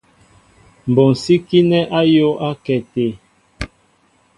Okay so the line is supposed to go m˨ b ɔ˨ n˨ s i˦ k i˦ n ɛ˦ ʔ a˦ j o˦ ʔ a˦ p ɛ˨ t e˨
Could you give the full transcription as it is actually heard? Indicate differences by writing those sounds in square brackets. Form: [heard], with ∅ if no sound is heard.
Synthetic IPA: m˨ b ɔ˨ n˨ s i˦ k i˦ n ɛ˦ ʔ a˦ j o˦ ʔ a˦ [k] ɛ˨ t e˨